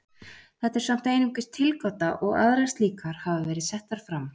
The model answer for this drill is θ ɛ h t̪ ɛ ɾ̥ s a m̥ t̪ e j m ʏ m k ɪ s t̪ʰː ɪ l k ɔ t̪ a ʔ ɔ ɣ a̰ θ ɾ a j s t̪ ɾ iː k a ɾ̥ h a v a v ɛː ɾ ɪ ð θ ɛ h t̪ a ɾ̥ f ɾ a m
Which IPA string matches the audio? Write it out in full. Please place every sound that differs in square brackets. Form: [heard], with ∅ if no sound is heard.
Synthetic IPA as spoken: θ ɛ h t̪ ɛ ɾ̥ s a m̥ t̪ e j [n] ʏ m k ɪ s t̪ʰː ɪ l k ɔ t̪ a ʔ ɔ ɣ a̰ [ð] ɾ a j s t̪ [l] iː k a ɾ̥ h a v a v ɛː ɾ ɪ ð [s] ɛ h t̪ a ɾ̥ f ɾ a m